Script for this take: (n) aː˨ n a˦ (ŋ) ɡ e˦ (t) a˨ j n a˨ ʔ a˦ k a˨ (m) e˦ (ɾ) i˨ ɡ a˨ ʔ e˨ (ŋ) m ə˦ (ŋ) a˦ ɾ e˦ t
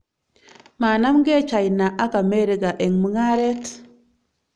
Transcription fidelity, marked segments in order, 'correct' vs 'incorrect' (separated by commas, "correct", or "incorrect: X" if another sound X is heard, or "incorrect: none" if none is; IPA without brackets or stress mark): incorrect: m, incorrect: m, incorrect: t͡ʃ, correct, correct, correct, correct